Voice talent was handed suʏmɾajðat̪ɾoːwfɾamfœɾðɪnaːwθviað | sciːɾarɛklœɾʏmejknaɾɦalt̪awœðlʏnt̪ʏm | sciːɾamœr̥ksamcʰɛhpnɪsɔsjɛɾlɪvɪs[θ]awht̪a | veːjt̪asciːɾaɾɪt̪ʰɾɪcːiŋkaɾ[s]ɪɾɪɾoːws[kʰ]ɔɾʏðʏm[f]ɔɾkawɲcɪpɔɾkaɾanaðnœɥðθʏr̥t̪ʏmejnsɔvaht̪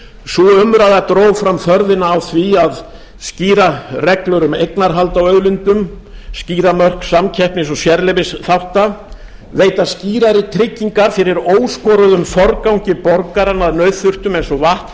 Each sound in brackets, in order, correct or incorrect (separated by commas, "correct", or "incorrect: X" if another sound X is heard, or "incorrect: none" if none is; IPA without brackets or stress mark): correct, incorrect: f, incorrect: k, correct